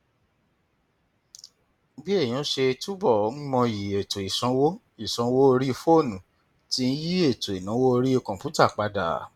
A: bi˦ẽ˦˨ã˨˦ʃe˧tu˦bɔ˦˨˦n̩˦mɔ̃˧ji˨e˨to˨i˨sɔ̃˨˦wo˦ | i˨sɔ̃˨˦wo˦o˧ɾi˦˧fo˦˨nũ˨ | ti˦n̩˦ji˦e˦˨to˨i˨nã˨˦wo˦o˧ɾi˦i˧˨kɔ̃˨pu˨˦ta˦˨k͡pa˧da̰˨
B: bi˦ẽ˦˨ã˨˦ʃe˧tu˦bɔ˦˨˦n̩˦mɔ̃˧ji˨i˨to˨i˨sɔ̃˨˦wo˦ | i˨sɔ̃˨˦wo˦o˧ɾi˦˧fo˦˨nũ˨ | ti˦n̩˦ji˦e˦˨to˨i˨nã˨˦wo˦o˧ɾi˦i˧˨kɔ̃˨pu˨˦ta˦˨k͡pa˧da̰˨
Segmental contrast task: A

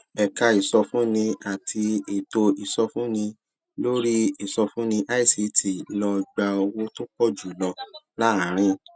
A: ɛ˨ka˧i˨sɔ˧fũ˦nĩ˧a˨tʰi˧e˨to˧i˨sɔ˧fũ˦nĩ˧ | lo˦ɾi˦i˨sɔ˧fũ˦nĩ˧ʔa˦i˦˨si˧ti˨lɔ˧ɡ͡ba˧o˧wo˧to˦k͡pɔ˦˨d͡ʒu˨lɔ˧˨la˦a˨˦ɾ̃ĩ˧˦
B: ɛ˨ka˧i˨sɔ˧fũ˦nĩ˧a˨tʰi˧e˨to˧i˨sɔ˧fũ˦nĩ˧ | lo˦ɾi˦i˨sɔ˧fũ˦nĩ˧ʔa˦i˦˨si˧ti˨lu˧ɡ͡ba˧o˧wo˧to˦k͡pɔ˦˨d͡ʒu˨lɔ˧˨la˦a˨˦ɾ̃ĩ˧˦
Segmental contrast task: A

